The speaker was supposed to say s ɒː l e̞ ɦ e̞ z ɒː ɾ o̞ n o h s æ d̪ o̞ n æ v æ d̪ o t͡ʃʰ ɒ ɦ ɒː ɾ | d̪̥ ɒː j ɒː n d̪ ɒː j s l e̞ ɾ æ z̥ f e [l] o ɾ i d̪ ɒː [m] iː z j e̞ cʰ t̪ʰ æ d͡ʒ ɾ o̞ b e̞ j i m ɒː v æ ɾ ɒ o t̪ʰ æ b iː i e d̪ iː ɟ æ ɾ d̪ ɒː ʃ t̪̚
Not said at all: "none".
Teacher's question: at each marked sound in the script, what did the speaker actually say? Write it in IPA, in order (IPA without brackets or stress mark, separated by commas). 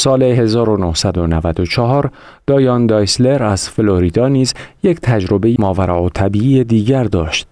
l, n